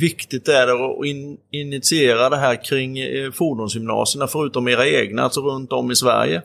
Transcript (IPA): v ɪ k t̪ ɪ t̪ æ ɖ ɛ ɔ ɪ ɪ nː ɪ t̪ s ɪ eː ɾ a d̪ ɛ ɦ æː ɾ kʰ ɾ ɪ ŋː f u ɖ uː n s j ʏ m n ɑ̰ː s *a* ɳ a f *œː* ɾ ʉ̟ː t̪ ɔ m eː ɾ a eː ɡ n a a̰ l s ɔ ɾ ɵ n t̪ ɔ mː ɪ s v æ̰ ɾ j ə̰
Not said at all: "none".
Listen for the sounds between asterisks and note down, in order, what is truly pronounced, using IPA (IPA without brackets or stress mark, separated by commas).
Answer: ə, œ